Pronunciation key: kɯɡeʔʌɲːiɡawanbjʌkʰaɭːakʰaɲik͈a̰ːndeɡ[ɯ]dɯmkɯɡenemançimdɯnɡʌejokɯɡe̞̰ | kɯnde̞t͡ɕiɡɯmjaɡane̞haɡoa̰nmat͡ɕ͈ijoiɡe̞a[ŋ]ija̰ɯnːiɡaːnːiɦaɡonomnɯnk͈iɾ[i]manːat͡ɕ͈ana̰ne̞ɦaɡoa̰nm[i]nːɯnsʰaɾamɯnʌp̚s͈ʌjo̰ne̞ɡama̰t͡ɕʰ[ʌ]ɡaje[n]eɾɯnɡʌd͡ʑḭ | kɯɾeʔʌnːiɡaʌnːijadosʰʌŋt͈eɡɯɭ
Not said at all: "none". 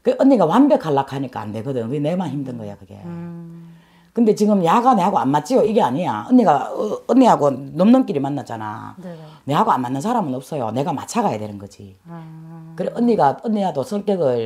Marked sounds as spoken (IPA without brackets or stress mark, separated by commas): ɯ, ɲ, i, a, a, d